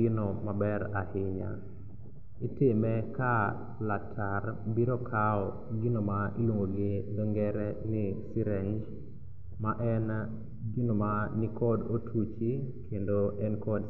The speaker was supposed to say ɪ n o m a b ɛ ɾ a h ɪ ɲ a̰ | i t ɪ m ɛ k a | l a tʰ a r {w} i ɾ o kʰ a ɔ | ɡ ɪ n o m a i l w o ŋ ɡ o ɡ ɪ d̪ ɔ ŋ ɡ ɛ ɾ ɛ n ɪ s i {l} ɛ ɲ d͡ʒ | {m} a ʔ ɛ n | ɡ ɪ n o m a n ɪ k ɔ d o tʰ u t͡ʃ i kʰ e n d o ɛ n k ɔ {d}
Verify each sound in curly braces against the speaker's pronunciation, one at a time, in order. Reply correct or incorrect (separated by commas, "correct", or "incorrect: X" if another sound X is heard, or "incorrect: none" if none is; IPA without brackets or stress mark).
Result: incorrect: b, incorrect: ɾ, correct, correct